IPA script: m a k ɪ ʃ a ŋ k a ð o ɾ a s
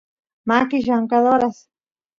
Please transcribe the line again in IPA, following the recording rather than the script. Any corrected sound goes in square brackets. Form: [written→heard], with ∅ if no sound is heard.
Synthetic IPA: m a k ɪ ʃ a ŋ k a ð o ɾ a s